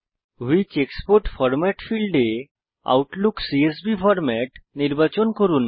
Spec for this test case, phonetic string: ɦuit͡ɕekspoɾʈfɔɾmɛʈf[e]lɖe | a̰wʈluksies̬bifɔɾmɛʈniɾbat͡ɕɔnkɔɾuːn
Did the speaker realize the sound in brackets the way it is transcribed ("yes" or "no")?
no